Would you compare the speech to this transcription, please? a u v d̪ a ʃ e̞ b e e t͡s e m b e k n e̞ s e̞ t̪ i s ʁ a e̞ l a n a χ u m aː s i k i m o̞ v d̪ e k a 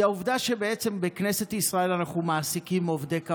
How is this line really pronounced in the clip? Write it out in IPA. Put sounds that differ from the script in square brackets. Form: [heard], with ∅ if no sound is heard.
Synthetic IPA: a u v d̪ a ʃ e̞ b e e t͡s e m b e k n e̞ s e̞ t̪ i s ʁ a e̞ l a n a χ u m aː s i k i m o̞ v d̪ e k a